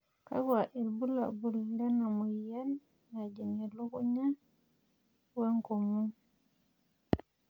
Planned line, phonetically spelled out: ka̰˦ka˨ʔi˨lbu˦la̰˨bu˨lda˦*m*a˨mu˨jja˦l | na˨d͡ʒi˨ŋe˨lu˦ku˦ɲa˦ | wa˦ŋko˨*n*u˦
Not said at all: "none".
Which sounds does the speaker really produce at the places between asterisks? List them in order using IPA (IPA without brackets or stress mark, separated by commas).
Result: n, m